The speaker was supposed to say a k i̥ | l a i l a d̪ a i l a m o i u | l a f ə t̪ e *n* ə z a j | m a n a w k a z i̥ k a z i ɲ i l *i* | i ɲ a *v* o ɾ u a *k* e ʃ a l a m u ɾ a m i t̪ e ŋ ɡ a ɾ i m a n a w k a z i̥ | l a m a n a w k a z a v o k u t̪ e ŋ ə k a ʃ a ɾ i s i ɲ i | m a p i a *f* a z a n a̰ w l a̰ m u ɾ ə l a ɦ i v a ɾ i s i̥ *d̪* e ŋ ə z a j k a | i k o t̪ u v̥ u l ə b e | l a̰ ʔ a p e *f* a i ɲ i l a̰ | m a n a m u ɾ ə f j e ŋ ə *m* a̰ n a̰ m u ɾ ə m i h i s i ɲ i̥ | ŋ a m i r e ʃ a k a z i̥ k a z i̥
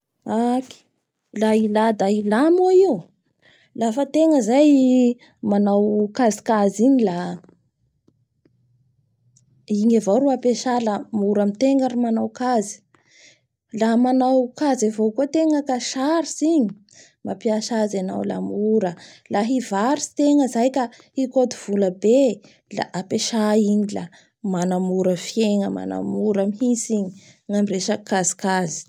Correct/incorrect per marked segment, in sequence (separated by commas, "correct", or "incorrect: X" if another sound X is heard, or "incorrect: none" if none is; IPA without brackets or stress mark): incorrect: ŋ, incorrect: a, correct, incorrect: p, incorrect: ʃ, incorrect: t̪, incorrect: ʃ, correct